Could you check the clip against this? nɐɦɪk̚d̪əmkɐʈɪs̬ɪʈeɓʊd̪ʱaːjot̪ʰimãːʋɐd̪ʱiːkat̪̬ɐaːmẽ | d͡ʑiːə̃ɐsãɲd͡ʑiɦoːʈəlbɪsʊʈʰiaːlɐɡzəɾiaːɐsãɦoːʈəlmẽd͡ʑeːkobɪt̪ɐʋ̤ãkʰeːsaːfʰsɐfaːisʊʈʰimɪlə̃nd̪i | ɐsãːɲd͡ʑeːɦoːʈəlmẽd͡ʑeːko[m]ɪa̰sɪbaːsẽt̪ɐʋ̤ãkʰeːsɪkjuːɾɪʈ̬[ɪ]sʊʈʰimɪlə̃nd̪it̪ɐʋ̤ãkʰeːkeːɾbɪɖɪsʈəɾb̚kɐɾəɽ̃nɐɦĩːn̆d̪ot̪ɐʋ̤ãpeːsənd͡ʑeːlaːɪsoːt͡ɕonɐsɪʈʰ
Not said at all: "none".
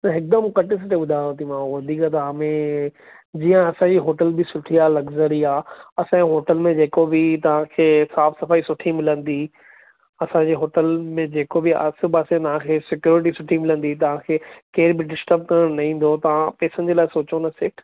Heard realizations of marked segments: b, i

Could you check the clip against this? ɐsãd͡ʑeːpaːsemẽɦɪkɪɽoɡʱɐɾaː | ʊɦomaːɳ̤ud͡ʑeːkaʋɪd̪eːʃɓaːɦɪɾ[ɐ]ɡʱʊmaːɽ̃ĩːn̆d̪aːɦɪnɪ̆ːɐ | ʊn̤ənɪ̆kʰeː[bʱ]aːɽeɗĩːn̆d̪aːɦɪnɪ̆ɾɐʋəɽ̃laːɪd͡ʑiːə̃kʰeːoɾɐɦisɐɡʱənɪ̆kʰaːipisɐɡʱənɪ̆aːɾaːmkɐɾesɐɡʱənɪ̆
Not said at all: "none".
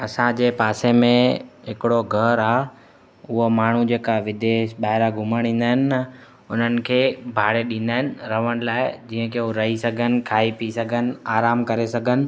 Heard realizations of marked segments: a, bʱ

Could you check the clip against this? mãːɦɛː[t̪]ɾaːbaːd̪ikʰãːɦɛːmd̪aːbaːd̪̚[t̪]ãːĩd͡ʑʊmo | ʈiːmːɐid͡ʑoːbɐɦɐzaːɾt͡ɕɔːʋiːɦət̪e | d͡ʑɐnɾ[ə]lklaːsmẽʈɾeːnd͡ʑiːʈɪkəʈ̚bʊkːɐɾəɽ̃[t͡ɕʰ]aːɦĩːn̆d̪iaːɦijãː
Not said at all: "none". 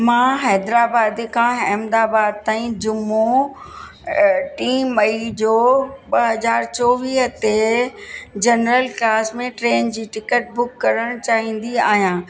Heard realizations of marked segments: d̪, t̪, ə, t͡ɕ

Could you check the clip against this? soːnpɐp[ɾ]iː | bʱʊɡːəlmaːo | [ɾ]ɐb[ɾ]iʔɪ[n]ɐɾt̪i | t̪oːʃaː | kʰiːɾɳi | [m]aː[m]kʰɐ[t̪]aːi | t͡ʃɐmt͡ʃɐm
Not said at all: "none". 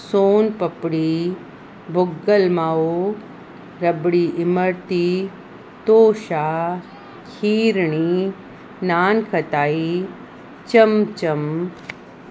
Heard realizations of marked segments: ɽ, ɾ, ɽ, m, n, n, t̪

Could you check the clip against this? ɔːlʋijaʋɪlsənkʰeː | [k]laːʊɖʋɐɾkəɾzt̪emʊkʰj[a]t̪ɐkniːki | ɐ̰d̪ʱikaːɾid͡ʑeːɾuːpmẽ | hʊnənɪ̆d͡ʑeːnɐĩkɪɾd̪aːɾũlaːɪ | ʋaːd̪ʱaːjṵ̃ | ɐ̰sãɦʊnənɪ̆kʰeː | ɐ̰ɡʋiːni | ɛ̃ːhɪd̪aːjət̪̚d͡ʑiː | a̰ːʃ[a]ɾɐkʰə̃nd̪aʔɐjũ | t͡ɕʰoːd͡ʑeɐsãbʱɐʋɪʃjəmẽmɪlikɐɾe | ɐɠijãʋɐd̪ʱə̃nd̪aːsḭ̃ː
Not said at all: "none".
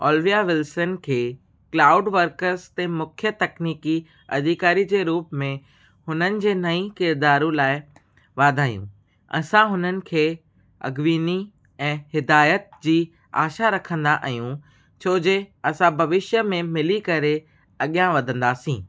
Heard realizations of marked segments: k, ə, a

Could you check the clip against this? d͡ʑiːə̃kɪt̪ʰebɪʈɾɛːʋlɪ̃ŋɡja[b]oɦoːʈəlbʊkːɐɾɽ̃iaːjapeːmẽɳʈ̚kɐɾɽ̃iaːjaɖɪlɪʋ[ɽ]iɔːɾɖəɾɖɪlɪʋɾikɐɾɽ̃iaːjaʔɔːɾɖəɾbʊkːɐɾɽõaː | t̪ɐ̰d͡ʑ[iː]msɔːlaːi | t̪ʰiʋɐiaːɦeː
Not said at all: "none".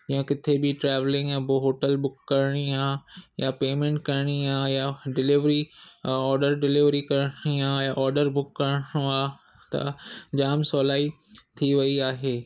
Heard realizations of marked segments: b, ɾ, aː

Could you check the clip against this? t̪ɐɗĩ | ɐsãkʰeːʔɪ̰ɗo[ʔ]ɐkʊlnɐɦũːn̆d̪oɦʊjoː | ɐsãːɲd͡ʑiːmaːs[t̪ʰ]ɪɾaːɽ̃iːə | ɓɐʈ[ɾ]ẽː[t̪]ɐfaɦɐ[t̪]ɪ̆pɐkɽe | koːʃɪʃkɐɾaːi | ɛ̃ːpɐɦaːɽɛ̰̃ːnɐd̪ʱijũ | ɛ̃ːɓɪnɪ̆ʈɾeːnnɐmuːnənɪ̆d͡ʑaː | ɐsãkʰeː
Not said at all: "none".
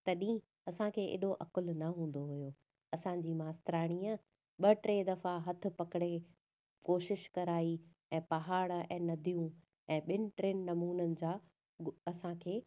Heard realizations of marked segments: ʔ, t̪, ɾ, d̪, t̪ʰ

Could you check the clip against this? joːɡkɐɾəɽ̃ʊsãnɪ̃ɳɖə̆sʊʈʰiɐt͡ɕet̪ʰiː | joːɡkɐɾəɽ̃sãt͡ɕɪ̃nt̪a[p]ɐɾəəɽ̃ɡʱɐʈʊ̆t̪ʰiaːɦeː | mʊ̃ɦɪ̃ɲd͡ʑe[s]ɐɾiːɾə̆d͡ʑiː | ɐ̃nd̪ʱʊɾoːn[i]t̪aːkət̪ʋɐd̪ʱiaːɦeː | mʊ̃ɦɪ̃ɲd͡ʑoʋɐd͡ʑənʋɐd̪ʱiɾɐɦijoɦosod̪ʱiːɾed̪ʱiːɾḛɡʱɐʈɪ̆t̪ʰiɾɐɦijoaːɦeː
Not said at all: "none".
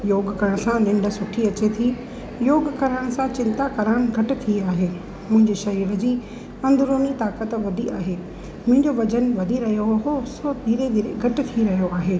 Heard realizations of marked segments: k, ʃ, i

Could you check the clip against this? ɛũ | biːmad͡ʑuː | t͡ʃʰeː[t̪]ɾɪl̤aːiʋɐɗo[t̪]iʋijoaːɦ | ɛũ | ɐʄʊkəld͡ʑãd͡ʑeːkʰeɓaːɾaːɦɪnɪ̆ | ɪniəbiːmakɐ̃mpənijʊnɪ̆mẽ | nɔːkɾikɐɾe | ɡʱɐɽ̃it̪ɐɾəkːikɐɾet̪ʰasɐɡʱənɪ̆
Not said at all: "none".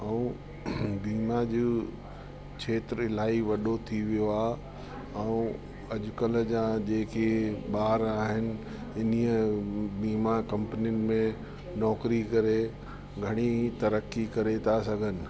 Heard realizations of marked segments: t̪, t̪ʰ

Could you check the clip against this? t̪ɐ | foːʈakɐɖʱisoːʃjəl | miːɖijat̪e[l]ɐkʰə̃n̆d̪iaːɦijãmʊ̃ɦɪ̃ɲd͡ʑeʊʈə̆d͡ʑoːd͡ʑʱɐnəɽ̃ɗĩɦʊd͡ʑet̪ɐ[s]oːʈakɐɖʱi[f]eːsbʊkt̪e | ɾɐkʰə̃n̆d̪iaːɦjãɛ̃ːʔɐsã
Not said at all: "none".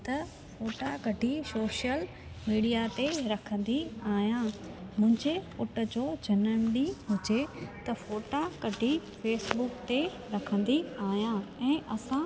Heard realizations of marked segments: ɾ, f, f

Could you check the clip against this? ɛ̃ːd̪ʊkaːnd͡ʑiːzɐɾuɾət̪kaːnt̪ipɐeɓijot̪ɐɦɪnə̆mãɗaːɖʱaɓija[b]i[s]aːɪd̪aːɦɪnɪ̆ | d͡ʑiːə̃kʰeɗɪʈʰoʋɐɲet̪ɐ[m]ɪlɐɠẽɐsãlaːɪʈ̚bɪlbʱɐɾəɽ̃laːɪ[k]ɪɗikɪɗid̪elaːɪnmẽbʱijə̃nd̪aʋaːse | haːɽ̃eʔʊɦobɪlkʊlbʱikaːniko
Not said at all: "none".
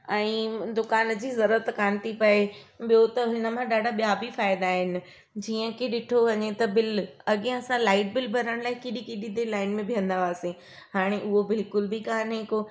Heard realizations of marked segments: b, f, b, k

